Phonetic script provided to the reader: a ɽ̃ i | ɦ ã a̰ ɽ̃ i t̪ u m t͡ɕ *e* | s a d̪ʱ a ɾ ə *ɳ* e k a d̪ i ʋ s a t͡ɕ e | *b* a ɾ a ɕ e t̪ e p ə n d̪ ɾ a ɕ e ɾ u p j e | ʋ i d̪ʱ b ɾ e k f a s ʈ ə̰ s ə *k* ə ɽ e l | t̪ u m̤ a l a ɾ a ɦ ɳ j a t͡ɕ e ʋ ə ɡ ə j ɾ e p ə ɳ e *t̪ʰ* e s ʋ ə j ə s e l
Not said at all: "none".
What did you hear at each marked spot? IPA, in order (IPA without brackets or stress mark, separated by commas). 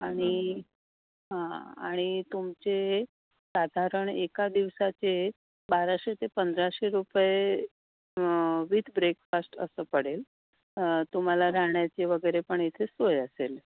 e, ɳ, b, p, t̪ʰ